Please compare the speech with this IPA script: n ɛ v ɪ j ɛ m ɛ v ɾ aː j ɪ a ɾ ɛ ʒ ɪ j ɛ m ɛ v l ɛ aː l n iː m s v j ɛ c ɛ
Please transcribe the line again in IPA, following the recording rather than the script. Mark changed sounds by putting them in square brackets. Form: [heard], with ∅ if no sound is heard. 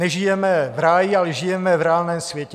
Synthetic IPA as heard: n ɛ [ʒ] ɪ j ɛ m ɛ v ɾ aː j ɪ a [l] ɛ ʒ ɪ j ɛ m ɛ v [ɾ] ɛ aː l n [ɛː] m s v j ɛ c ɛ